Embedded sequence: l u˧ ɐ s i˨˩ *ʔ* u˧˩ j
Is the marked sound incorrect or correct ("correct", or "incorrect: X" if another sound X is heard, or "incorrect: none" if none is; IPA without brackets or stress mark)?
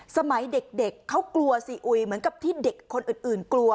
correct